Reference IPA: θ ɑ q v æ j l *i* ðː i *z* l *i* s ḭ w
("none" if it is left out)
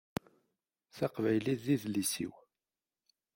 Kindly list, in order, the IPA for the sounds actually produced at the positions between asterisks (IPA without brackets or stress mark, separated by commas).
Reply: i, ð, i